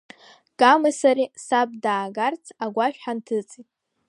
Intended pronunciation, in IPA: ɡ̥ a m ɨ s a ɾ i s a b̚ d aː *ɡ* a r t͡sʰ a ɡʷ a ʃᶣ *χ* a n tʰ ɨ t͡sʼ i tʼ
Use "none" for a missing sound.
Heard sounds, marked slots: ɡ, ħ

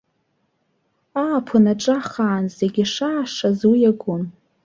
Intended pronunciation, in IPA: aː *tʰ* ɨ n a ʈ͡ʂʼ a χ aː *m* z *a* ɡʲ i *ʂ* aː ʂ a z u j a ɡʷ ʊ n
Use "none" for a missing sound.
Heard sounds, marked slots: pʰ, n, e, ʂ

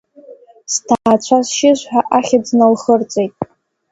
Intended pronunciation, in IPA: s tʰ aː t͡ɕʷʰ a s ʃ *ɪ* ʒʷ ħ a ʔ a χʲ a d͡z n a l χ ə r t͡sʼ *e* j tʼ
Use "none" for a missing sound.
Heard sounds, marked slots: ɪ, e

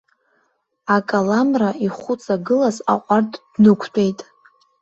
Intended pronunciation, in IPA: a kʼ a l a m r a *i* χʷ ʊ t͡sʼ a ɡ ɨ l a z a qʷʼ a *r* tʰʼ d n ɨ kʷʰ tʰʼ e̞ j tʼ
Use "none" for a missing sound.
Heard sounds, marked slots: i, r

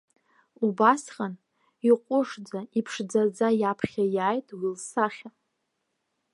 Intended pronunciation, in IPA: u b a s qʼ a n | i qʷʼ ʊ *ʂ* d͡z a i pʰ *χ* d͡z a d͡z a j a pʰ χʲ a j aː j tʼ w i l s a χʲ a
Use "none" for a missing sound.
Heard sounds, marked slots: ʂ, ʂ

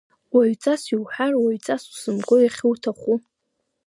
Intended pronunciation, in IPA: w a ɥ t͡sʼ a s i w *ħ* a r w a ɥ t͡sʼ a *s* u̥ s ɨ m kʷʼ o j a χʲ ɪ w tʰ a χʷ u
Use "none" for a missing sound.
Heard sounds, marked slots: ħ, s

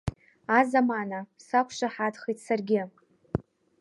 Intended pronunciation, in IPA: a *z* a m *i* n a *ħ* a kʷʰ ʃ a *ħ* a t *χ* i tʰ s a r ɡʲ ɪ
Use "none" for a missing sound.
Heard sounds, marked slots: z, a, s, ħ, χ

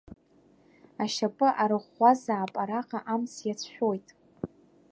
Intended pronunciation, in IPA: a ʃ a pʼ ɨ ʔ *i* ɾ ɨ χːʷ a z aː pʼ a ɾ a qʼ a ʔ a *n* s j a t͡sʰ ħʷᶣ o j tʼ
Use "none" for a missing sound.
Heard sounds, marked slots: a, m

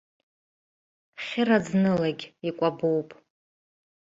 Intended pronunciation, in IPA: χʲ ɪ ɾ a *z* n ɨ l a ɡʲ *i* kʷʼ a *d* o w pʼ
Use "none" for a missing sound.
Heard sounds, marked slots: d͡z, i, b

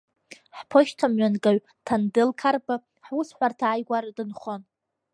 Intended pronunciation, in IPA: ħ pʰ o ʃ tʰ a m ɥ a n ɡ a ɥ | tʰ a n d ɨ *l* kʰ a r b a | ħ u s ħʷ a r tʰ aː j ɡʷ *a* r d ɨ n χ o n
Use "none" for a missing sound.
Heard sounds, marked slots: l, a

